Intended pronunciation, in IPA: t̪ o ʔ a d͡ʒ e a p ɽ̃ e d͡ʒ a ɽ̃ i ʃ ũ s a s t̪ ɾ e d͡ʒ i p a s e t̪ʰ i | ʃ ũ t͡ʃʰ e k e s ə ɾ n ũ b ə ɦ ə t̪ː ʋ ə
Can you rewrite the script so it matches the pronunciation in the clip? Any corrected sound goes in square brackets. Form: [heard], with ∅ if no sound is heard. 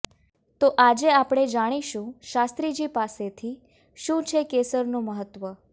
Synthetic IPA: t̪ o ʔ a d͡ʒ e a p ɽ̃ e d͡ʒ a ɽ̃ i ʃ ũ [ʃ] a s t̪ ɾ [i] d͡ʒ i p a s e t̪ʰ i | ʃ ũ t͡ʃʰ e k e s ə ɾ n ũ [m] ə ɦ ə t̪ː ʋ ə